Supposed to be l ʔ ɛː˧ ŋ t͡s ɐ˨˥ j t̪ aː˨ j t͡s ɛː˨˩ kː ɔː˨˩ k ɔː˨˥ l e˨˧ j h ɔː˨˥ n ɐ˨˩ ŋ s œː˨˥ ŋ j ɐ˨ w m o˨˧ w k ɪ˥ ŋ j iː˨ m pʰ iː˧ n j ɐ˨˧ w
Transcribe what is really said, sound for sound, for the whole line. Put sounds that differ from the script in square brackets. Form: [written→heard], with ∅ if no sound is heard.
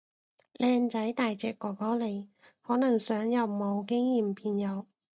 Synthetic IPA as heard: l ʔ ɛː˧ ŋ t͡s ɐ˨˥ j t̪ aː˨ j t͡s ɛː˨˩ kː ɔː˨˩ k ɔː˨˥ l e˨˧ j h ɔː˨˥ n ɐ˨˩ ŋ s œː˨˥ ŋ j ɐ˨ w m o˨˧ w k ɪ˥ ŋ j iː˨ m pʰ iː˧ n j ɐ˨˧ w